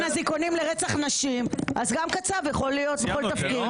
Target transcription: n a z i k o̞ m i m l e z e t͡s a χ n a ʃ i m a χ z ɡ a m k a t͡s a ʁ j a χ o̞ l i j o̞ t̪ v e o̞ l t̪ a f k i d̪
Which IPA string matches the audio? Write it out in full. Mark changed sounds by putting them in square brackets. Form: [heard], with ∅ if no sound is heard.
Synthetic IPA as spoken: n a z i k o̞ [n] i m l e [ʁ] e t͡s a χ n a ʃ i m a [∅] z ɡ a m k a t͡s a [v] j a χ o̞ l i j o̞ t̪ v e o̞ l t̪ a f k i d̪